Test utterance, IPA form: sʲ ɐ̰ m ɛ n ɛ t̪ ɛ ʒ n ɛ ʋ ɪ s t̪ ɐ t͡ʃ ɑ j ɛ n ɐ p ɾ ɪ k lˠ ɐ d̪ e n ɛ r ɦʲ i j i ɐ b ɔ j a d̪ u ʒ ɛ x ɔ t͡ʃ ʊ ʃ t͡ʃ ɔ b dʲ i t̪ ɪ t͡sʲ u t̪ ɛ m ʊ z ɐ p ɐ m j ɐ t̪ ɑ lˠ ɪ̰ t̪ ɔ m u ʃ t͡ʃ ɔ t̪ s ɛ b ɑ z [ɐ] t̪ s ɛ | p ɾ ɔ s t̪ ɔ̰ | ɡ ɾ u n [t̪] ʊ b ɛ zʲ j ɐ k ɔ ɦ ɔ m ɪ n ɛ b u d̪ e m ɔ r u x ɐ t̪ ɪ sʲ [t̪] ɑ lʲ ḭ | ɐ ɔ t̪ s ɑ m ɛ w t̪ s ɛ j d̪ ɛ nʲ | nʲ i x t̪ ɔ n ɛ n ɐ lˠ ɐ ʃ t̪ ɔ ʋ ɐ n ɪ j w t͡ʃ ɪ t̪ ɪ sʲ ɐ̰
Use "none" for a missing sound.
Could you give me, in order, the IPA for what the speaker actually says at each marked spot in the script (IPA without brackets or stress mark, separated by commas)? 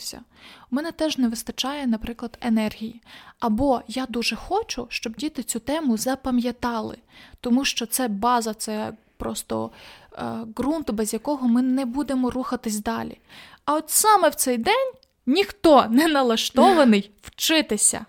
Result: ɐ, t̪, d̪